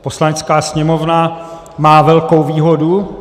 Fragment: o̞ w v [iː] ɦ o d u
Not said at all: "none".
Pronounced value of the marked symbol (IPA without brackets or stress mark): iː